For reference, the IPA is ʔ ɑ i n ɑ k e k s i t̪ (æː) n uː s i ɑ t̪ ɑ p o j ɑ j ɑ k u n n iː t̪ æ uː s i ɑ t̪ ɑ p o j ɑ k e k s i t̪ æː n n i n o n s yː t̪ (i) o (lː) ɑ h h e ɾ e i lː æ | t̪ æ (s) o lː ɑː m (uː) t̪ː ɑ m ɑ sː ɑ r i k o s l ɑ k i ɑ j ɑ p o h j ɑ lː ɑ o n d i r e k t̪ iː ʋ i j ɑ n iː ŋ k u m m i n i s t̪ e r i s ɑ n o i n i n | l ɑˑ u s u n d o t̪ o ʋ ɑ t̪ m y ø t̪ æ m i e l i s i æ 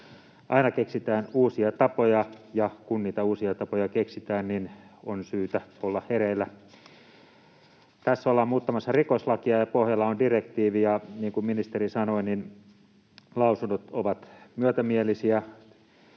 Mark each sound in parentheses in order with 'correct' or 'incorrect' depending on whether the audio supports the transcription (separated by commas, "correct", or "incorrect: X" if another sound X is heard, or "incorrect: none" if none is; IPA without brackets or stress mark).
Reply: correct, incorrect: æ, correct, incorrect: sː, correct